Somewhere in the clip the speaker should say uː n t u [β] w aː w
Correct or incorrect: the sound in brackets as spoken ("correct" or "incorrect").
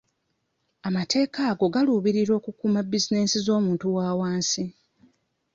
incorrect